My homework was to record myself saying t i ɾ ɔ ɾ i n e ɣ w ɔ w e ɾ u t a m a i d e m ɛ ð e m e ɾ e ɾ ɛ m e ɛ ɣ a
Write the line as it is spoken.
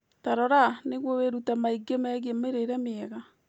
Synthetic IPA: t a ɾ ɔ ɾ a n e ɣ w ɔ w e ɾ u t a m a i ɡ e m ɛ ɣ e m e ɾ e ɾ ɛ m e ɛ ɣ a